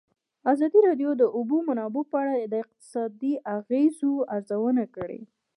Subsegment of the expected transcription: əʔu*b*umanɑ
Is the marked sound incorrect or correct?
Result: correct